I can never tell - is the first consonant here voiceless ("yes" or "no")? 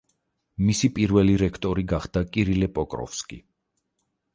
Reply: no